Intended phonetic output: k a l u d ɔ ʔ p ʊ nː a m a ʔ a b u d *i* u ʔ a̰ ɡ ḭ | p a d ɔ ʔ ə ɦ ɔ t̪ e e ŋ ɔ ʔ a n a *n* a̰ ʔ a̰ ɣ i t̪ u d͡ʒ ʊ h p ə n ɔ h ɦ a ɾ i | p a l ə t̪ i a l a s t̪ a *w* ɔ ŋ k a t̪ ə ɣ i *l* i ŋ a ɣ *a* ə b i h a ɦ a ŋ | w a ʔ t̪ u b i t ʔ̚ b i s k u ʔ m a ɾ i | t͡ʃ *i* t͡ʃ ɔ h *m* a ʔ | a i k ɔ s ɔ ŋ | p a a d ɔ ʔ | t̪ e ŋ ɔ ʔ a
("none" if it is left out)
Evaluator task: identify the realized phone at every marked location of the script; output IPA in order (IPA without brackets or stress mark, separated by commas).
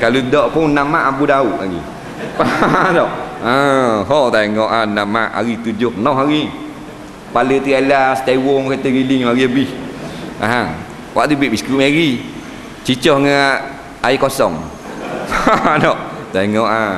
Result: a, m, w, l, i, i, ŋ